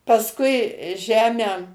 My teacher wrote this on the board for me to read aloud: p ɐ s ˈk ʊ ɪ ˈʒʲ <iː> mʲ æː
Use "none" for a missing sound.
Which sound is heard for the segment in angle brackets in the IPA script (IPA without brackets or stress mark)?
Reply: æː